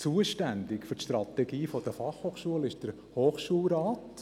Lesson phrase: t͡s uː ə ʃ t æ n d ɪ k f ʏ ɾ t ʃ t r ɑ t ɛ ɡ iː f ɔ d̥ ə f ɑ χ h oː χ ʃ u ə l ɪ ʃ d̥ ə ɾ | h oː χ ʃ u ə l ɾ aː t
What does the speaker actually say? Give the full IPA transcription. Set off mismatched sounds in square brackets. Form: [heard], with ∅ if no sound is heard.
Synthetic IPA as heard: t͡s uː ə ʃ t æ n d ɪ k f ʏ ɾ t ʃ t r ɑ t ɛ ɡ iː f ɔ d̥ ə f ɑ χ h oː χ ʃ u ə l ɪ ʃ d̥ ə ɾ | h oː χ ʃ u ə l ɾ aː t